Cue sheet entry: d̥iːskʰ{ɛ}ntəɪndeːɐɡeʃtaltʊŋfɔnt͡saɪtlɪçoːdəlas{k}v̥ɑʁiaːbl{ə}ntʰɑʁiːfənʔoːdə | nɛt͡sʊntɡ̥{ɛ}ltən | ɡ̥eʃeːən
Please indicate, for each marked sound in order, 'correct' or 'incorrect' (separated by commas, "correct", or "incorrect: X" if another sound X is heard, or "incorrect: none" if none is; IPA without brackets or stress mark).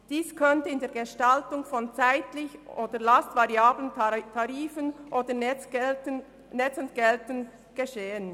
incorrect: œ, incorrect: t, correct, correct